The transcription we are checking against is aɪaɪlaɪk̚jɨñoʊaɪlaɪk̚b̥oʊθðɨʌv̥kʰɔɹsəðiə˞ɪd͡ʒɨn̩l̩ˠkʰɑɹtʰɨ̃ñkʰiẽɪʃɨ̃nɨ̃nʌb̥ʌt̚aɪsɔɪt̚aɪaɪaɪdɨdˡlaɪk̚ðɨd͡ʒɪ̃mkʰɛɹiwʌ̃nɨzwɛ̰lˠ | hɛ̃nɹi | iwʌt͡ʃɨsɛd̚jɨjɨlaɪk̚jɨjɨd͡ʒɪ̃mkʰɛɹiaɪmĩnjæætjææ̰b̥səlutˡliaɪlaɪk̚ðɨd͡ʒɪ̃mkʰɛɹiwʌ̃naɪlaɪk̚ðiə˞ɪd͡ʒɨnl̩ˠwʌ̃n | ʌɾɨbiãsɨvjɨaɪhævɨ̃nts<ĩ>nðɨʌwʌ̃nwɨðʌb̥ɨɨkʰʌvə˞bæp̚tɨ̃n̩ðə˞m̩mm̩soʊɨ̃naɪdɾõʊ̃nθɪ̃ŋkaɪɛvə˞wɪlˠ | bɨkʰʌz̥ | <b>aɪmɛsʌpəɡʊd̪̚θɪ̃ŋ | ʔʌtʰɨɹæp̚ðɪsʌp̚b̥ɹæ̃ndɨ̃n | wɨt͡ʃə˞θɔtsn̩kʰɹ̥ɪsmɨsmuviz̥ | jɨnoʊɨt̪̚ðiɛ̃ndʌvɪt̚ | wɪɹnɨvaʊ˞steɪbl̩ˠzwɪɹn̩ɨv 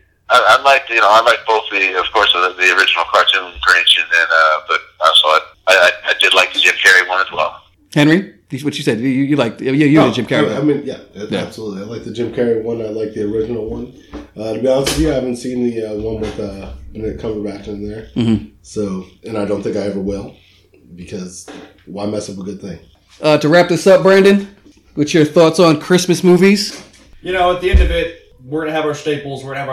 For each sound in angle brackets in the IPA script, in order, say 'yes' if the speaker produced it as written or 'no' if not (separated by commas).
yes, no